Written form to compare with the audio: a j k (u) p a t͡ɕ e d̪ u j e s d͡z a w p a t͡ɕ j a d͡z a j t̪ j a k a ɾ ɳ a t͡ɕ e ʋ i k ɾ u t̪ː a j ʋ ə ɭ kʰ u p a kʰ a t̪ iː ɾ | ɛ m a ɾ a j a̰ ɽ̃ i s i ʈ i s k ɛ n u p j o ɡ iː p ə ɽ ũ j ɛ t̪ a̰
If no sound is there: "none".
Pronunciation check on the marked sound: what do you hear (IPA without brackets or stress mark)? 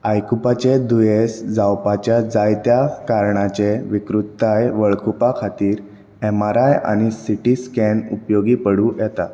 u